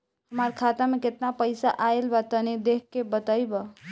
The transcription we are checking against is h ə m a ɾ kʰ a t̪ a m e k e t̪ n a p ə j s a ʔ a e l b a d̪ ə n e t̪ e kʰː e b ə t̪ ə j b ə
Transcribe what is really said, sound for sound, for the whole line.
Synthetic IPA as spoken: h ə m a ɾ kʰ a t̪ a m e k e t̪ n a p ə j s a ʔ a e l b a t̪ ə n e d̪ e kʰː e b ə t̪ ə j b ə